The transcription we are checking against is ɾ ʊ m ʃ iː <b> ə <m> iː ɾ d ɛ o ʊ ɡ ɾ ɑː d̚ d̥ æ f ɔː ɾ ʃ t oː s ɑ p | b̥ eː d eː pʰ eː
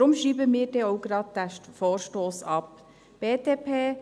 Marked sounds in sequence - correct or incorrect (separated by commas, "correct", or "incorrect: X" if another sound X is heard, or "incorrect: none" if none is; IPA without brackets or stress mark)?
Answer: correct, correct